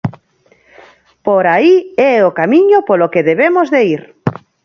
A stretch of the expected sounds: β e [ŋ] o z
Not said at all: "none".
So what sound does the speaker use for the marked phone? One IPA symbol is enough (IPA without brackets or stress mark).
m